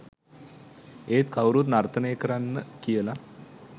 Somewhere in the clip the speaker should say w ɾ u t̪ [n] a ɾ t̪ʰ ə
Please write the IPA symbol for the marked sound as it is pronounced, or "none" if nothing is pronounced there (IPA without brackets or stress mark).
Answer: n